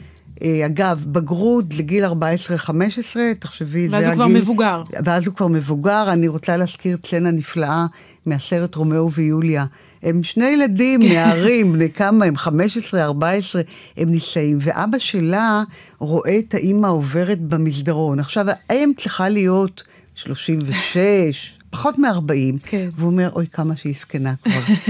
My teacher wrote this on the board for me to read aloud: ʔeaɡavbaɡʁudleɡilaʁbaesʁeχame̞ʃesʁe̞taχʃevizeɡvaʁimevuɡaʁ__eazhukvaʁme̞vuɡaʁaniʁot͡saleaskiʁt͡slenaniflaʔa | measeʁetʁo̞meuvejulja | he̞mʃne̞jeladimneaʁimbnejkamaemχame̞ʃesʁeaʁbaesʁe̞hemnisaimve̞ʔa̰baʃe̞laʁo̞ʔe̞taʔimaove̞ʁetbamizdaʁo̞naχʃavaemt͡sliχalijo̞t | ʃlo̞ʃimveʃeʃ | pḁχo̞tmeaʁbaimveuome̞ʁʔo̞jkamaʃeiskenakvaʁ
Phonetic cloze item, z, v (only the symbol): v